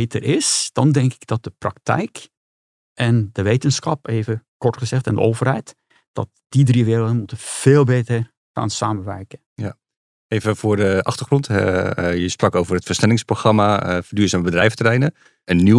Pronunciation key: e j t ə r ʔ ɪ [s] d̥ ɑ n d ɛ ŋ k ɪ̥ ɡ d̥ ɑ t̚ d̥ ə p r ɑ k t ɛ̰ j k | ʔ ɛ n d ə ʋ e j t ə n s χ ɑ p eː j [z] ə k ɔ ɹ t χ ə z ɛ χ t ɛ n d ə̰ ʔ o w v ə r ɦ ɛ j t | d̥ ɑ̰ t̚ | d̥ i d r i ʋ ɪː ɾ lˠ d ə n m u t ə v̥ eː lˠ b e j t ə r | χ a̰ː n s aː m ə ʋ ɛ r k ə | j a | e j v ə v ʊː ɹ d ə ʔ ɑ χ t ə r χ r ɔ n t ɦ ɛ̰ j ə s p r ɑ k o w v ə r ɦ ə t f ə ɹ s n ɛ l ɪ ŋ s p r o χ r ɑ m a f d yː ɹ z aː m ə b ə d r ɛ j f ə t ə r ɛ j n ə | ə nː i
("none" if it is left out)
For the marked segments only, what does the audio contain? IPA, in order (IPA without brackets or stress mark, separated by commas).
s, v